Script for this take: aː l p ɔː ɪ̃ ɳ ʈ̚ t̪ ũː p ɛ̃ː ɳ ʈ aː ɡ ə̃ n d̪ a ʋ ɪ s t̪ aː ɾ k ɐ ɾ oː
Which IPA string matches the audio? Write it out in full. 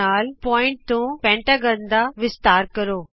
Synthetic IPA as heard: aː l p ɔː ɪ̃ ɳ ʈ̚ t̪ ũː p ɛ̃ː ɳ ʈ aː ɡ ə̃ n d̪ a ʋ ɪ s t̪ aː ɾ k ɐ ɾ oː